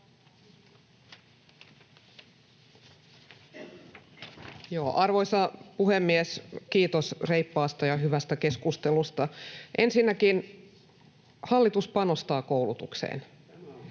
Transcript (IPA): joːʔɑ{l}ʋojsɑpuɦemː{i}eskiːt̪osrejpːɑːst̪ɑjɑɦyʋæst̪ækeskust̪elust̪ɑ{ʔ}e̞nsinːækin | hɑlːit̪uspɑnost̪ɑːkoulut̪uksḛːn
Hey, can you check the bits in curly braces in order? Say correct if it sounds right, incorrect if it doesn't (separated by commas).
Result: incorrect, correct, correct